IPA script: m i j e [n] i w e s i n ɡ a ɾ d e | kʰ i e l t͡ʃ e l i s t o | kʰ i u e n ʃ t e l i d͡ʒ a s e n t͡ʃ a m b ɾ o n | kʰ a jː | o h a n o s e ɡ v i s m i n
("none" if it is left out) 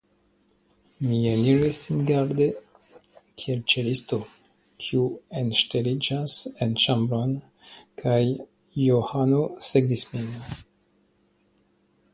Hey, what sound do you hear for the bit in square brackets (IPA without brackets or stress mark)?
n